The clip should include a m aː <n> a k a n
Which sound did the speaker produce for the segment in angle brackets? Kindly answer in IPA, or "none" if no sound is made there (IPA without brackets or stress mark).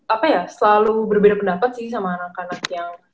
n